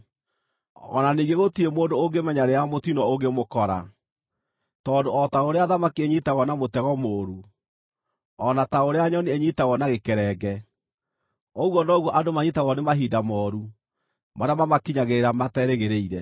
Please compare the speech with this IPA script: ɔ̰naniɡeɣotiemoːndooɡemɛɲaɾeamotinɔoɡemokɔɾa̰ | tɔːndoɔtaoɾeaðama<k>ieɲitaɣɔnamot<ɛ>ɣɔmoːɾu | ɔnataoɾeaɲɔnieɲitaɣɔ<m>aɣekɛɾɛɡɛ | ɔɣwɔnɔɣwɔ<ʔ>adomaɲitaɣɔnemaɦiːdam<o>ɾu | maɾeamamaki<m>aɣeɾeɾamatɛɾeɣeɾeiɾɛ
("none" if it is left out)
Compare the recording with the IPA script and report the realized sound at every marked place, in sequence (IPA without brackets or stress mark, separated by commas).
k, ɛ, n, ʔ, ɔ, ɲ